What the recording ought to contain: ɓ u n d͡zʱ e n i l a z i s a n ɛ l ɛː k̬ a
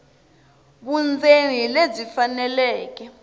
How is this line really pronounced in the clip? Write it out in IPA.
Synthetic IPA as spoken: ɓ u n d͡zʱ e n i l e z i f a n ɛ l ɛː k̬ ɛ

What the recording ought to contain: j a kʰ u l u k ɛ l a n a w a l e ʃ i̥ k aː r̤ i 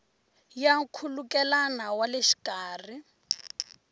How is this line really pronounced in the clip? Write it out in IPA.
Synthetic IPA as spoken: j a kʰ u l u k ɛ l a n a w a l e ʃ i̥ k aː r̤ i

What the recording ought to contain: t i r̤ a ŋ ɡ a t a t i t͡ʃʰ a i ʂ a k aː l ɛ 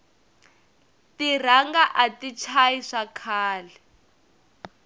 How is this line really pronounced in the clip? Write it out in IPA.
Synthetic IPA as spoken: t i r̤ a ŋ ɡ a ʔ a t i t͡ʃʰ a i ʂ a kʰ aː l ɛ

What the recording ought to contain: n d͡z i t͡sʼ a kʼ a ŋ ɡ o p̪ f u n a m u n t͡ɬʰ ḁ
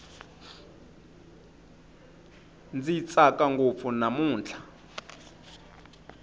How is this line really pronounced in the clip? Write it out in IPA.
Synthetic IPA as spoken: n d͡z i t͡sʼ a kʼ a ŋ ɡ o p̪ f u n a m uː n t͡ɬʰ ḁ

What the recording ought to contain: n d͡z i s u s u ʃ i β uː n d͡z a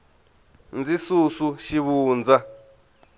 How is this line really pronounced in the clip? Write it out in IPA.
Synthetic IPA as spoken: n d͡z i s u s u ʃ i β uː n d͡z a

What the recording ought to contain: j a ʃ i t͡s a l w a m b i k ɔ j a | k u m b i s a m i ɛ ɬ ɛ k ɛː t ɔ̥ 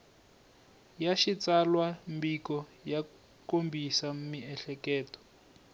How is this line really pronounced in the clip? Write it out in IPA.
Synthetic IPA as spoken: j a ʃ i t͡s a l w a m b i k ɔ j a | k o m b i s a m i ɛ ɬ ɛ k ɛː t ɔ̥

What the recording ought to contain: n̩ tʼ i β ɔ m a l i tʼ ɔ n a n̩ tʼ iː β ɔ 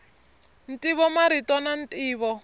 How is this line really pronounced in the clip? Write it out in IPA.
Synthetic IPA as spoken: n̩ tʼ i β ɔ m a ɾ i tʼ ɔ n a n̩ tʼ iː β ɔ

